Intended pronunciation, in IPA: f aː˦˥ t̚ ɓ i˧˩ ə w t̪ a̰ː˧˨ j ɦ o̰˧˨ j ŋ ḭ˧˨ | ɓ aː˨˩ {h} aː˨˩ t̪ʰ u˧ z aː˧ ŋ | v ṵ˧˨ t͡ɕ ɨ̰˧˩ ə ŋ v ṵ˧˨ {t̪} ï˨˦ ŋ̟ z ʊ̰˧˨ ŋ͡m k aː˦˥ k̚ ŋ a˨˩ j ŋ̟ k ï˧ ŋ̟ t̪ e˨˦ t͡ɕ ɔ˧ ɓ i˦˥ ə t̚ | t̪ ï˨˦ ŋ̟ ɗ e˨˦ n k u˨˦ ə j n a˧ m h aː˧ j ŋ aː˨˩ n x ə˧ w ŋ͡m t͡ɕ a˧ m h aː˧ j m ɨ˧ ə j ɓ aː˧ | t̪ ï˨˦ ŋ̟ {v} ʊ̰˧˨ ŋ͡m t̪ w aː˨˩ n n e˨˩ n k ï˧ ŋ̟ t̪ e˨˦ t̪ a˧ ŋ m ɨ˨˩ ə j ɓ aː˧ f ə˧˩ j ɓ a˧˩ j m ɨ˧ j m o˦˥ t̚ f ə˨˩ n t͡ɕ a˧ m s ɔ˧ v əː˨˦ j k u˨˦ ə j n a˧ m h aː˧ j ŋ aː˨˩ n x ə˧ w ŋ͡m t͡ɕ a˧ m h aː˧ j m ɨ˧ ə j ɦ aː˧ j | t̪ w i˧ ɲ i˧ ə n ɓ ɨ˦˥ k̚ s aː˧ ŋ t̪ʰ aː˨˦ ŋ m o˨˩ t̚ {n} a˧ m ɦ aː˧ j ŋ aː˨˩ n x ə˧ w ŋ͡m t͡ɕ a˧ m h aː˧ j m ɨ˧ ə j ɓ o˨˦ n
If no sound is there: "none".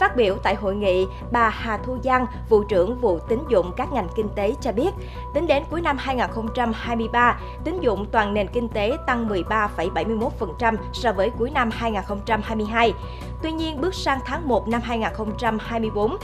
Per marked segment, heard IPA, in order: h, t̪, z, n

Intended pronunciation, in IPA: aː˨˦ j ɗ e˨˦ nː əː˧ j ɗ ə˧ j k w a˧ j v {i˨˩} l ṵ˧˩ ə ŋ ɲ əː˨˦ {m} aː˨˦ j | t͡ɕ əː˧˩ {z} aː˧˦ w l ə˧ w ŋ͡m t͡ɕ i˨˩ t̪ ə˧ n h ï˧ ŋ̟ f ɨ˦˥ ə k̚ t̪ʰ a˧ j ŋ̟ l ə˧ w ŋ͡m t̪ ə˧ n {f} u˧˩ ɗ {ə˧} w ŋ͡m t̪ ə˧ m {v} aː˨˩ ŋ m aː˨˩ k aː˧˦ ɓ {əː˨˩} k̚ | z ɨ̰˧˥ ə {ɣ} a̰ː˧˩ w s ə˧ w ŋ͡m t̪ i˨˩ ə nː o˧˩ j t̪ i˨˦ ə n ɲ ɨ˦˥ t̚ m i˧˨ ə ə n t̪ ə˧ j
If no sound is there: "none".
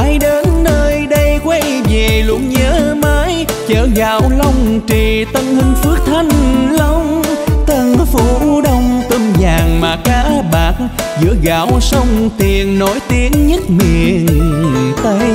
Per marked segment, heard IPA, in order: e˨˩, m, ɣ, f, ə˧, z, aː˨˩, ɣ

